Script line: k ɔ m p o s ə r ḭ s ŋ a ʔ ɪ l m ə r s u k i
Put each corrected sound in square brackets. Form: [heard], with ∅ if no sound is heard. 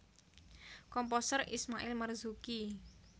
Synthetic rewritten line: k ɔ m p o s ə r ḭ s [m] a ʔ ɪ l m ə r [z] u k i